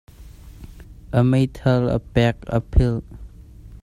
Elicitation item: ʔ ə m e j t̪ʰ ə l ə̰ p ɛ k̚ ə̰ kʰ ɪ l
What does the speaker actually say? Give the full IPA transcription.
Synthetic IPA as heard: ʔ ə m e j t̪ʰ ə l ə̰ p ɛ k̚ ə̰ pʰ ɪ l